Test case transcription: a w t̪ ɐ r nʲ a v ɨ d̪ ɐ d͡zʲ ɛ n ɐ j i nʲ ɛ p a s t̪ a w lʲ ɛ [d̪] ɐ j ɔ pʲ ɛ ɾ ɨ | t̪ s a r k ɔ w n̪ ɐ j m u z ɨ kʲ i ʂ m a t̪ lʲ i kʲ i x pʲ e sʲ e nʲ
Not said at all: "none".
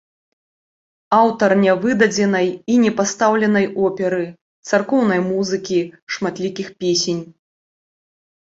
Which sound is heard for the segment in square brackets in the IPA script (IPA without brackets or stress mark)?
n̪